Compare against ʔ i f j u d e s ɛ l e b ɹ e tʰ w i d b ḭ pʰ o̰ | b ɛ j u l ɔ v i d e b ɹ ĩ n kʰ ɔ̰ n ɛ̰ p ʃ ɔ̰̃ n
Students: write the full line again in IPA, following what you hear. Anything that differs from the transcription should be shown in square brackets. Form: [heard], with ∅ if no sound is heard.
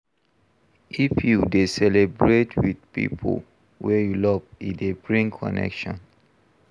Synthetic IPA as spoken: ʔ i f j u d e s ɛ l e b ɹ e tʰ w i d [p] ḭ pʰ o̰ | [w] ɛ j u l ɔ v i d e b ɹ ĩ [ŋ] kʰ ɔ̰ n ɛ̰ [k] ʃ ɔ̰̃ n